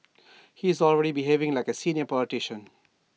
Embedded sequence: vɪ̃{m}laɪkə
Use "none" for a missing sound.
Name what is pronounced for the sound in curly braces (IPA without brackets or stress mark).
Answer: ŋ